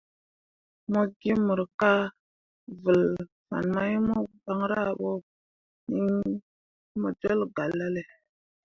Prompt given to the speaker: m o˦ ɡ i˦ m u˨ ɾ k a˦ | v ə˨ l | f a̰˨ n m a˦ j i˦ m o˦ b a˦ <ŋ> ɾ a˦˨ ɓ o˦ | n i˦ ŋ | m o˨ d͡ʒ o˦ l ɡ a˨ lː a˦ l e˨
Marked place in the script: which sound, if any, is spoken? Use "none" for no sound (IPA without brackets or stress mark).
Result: ŋ